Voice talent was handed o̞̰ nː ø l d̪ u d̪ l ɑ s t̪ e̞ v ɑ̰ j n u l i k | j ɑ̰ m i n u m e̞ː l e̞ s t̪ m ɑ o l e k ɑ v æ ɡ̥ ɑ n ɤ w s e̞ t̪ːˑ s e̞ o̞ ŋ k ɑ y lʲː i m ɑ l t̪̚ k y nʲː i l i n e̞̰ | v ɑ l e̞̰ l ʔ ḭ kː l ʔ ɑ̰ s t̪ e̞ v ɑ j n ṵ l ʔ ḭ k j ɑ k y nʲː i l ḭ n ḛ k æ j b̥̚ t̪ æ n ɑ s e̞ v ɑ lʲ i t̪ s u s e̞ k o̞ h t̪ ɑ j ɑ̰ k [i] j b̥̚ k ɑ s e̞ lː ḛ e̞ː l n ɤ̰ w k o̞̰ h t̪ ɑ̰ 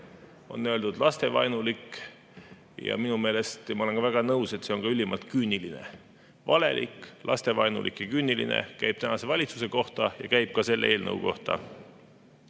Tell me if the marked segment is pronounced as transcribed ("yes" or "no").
no